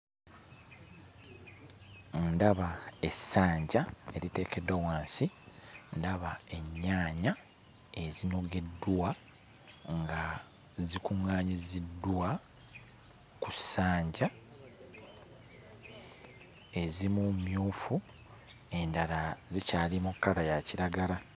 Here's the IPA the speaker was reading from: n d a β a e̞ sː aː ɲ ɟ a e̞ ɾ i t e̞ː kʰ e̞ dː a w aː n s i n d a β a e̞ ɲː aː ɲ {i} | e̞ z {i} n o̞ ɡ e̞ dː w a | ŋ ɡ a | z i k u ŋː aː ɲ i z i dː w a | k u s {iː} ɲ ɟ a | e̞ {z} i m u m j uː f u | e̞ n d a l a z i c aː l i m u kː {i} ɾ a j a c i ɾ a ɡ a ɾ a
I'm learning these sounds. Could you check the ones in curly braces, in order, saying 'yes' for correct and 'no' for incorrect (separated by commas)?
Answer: no, yes, no, yes, no